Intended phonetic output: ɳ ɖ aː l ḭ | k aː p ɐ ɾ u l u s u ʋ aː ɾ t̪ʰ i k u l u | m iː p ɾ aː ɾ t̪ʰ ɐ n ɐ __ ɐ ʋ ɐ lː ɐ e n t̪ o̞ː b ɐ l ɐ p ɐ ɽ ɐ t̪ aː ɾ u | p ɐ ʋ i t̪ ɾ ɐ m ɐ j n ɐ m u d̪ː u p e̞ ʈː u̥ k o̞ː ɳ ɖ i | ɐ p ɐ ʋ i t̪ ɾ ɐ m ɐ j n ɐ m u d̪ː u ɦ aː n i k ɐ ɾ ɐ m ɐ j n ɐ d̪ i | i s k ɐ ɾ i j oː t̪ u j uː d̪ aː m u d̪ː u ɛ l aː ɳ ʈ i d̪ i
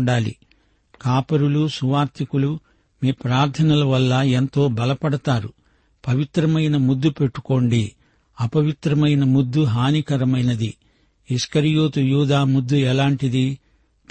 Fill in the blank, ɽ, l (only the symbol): l